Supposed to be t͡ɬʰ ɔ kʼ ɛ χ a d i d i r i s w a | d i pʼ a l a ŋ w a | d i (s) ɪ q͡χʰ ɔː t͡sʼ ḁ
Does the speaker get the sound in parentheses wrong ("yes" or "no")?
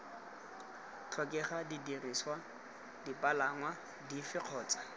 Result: yes